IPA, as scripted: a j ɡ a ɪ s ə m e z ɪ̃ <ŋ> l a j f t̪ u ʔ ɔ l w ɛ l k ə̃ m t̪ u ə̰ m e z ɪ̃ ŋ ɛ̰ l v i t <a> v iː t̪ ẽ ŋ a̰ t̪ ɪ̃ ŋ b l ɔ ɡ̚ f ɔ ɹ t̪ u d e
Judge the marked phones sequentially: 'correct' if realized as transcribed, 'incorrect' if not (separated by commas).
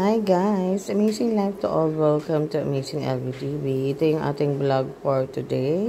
correct, incorrect